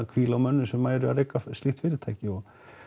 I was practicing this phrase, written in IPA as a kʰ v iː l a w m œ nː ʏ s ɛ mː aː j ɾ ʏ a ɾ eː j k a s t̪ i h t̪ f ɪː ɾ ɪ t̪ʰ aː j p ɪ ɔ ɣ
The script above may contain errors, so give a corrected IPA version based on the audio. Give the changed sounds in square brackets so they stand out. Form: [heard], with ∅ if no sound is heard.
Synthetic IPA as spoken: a kʰ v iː l a w m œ nː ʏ s ɛ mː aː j ɾ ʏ a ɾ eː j k a s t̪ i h t̪ f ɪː ɾ ɪ t̪ʰ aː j [c] ɪ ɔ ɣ